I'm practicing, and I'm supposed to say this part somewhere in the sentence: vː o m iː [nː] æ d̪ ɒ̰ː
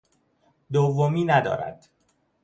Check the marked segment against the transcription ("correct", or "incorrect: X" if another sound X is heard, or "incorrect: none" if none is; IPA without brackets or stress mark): incorrect: n